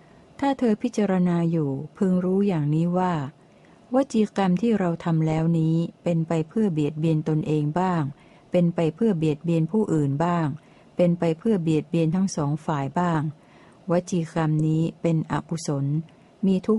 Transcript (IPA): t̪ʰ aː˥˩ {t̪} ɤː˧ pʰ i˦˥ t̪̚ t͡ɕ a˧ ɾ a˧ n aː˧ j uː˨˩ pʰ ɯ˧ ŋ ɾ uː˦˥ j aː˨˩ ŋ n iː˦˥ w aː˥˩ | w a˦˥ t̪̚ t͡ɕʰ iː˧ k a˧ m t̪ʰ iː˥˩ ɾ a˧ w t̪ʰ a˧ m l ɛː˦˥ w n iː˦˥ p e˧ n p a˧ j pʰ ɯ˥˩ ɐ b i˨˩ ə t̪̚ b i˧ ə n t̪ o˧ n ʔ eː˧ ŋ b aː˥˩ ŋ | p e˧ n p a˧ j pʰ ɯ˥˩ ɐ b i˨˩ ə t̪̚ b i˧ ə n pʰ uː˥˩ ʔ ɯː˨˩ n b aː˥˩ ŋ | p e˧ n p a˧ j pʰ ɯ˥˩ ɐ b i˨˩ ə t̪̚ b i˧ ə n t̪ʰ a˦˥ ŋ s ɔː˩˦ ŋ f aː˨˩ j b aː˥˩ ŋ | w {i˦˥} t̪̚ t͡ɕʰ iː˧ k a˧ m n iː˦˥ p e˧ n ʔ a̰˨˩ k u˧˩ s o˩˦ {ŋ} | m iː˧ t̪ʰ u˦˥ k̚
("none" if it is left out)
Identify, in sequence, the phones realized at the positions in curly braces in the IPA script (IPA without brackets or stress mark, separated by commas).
t̪ʰ, a˦˥, n